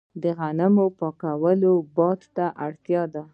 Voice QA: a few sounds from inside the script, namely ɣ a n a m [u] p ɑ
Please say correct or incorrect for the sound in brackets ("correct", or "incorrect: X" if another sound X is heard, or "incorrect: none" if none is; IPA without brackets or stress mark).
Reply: incorrect: o